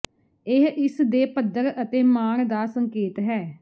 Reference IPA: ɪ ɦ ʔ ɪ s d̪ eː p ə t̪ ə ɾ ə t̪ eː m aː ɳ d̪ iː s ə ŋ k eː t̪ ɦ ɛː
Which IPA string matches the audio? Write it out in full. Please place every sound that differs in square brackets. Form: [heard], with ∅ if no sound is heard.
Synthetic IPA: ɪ ɦ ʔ ɪ s d̪ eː p ə [d̪] ə ɾ ə t̪ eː m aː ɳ d̪ [aː] s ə ŋ k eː t̪ ɦ ɛː